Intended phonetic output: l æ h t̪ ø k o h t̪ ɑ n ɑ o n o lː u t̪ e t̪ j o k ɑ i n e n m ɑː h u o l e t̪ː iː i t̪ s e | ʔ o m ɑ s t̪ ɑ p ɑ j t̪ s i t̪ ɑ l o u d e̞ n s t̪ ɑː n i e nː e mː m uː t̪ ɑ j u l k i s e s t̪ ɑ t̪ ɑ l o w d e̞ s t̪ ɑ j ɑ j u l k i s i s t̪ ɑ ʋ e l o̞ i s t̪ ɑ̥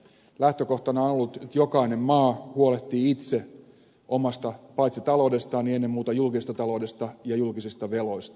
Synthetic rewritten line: l æ h t̪ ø k o h t̪ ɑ n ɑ o n o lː u t̪ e t̪ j o k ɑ i n e m m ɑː h u o l e t̪ː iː i t̪ s e | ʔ o m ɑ s t̪ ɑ p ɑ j t̪ s i t̪ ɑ l o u d e̞ s t̪ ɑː n i e nː e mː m uː t̪ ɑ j u l k i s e s t̪ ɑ t̪ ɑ l o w d e̞ s t̪ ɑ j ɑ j u l k i s i s t̪ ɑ ʋ e l o̞ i s t̪ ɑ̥